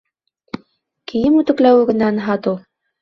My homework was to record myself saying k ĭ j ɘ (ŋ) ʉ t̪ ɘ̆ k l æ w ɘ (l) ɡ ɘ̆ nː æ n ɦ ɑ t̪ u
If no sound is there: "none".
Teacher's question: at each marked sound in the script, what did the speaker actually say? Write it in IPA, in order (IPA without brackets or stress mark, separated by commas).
m, none